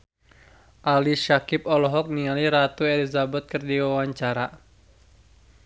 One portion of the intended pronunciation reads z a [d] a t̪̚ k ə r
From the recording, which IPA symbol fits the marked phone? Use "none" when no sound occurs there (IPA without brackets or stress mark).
b